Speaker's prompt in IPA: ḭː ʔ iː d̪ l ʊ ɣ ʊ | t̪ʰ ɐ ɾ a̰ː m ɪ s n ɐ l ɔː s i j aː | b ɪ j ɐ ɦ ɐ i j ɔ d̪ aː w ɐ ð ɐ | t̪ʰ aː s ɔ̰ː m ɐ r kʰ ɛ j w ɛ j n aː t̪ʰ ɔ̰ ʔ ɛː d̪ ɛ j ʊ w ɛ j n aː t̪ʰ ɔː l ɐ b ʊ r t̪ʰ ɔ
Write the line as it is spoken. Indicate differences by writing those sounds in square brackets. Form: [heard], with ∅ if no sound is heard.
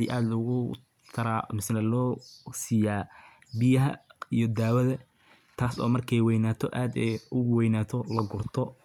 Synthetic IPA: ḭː ʔ [aː] d̪ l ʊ ɣ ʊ | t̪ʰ ɐ ɾ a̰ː m ɪ s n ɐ l ɔː s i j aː | b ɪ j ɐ ɦ ɐ i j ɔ d̪ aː w ɐ ð ɐ | t̪ʰ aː s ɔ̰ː m ɐ r kʰ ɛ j w ɛ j n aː t̪ʰ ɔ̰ ʔ [aː] d̪ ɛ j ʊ w ɛ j n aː t̪ʰ [ɔ] l ɐ [ɡ] ʊ r t̪ʰ ɔ